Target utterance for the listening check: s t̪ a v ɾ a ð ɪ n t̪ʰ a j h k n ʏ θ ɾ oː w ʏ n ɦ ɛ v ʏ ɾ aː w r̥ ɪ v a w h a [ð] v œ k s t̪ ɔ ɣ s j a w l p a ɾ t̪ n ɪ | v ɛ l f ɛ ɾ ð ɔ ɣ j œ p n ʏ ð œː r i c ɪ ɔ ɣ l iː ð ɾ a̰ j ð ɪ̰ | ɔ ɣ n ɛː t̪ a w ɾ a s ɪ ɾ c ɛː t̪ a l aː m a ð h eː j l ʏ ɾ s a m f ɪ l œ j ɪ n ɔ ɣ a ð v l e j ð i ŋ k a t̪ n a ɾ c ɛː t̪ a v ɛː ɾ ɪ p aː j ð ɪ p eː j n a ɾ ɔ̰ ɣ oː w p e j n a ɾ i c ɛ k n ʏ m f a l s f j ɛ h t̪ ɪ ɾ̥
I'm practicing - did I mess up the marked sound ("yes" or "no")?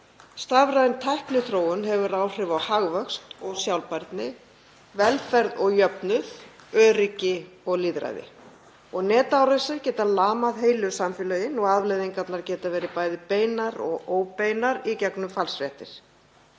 yes